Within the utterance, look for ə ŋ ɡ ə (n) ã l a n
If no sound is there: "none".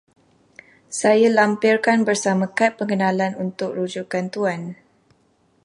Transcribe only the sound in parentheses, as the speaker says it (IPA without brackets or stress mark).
n